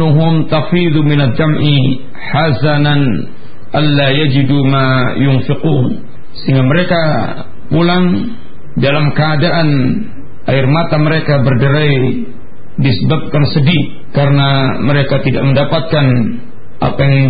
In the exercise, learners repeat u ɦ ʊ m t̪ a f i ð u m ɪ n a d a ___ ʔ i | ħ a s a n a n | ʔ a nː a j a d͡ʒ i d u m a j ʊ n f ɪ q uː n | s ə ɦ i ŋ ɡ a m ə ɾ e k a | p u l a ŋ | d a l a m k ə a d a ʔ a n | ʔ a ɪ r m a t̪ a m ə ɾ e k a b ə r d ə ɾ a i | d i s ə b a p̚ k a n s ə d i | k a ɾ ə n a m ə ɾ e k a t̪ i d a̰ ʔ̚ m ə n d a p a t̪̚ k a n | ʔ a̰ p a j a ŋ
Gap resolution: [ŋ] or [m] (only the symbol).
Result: m